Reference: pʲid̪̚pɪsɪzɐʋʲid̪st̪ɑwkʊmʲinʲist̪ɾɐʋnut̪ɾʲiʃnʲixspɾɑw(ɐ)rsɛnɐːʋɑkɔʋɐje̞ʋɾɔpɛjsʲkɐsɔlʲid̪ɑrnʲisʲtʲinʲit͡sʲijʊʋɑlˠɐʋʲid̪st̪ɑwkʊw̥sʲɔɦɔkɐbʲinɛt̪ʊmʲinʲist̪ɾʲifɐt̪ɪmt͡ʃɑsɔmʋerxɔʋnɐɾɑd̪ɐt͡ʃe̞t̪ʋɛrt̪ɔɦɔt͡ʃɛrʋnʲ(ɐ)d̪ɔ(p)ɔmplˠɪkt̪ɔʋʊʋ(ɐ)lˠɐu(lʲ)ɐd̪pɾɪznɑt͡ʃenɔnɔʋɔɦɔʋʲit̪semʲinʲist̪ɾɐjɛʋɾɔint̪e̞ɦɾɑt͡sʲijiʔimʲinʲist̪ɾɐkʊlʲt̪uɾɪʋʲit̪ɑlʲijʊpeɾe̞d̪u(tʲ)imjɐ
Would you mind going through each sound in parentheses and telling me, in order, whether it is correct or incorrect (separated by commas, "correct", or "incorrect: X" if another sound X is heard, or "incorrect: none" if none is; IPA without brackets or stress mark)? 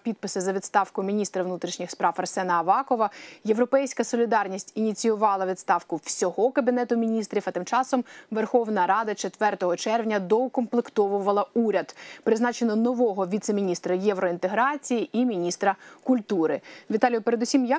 correct, correct, incorrect: k, correct, incorrect: ɾʲ, incorrect: sʲ